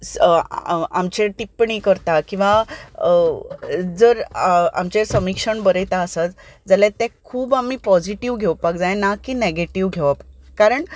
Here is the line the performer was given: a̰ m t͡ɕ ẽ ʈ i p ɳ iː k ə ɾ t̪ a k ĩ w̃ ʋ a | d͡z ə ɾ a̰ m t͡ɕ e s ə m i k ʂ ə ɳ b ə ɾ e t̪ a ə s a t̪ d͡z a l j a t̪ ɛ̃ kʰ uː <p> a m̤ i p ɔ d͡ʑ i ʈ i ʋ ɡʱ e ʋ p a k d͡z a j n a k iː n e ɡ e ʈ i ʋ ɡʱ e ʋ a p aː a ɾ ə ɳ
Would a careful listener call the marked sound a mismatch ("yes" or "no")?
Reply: yes